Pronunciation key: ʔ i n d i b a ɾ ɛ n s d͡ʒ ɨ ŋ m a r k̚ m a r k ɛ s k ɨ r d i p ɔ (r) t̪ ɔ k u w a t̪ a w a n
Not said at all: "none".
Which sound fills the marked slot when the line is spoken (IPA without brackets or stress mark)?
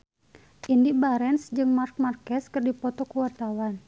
none